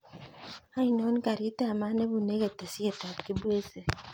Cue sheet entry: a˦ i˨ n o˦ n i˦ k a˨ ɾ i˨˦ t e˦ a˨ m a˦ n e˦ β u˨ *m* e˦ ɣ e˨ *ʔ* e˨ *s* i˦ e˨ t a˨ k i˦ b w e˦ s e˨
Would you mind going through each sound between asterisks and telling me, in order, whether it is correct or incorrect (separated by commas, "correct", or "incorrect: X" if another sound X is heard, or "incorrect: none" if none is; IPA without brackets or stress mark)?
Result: incorrect: n, incorrect: t, correct